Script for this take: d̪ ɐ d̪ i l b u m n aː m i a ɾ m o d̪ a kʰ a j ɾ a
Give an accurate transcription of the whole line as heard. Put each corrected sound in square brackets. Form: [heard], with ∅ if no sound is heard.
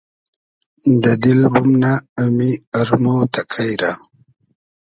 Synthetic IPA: d̪ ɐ d̪ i l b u m n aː m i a ɾ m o [t̪] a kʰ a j ɾ a